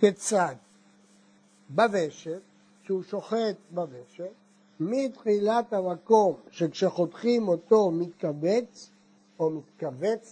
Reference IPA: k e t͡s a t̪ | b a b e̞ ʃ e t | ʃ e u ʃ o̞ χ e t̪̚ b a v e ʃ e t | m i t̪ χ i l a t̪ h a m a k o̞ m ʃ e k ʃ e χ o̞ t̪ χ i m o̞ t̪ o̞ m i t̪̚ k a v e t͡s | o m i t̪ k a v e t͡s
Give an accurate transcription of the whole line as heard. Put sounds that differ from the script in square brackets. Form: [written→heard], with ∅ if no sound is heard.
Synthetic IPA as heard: k e t͡s a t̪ | b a [b→v] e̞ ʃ e t | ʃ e u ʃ o̞ χ e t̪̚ b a v e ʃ e t | m i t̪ χ i l a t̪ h a m a k o̞ m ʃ e k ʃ e χ o̞ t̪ χ i m o̞ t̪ o̞ m i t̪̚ k a v e t͡s | o m i t̪ k a v e t͡s